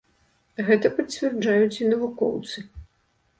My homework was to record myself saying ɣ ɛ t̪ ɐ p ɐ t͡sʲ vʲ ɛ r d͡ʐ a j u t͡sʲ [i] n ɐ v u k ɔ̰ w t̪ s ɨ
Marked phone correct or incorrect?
correct